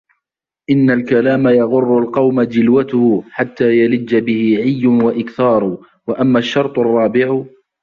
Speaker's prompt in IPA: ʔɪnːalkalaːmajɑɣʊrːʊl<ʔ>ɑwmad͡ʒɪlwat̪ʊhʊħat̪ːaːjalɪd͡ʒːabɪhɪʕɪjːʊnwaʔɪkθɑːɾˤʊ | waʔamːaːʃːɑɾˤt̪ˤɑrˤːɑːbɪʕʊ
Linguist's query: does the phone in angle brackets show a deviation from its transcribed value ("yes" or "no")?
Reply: yes